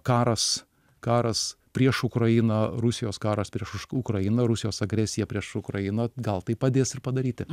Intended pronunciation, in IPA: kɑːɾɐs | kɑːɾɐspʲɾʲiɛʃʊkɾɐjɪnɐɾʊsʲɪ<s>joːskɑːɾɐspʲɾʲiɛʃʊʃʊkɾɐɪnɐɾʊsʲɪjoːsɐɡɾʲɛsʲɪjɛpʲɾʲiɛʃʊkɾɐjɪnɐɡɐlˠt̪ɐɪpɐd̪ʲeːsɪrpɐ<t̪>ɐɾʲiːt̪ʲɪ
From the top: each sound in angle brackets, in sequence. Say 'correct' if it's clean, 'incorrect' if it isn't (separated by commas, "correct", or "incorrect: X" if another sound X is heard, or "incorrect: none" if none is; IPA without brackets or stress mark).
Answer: incorrect: none, incorrect: d̪